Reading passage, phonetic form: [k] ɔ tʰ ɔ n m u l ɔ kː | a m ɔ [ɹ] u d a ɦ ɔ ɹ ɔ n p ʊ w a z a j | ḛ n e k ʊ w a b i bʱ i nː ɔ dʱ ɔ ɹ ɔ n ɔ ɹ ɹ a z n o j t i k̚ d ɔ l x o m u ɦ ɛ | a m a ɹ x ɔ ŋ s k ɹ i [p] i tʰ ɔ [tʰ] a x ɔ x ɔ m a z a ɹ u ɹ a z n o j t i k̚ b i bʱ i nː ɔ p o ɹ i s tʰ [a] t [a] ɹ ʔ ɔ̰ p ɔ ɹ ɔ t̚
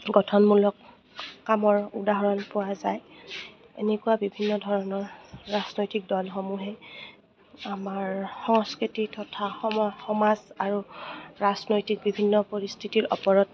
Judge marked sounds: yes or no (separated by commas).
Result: no, yes, no, yes, no, no